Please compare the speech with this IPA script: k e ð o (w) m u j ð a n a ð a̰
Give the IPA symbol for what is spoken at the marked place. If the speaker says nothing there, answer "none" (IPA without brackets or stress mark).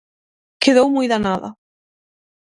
w